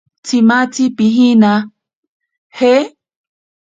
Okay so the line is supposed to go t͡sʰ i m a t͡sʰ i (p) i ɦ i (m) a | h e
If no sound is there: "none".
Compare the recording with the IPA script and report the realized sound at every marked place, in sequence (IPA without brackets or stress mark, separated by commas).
p, n